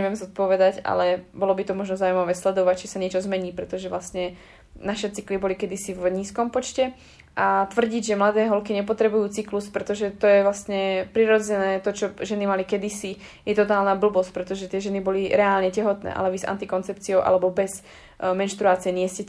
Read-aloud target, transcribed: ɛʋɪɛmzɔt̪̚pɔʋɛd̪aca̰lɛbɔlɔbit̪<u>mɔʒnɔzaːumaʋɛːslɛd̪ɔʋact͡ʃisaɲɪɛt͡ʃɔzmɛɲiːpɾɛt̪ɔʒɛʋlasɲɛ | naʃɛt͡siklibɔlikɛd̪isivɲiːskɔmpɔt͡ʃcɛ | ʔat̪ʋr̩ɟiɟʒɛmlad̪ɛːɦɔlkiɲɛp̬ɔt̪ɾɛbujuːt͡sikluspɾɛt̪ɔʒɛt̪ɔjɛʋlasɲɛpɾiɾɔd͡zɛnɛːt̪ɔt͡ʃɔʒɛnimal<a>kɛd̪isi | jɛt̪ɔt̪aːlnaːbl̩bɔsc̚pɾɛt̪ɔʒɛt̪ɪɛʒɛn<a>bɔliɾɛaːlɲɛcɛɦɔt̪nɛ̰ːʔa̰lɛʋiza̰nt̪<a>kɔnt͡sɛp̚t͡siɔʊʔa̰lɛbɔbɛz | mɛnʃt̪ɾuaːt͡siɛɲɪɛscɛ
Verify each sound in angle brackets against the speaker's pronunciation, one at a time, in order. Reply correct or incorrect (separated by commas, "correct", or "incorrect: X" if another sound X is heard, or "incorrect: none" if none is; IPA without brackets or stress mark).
incorrect: ɔ, incorrect: i, incorrect: i, incorrect: i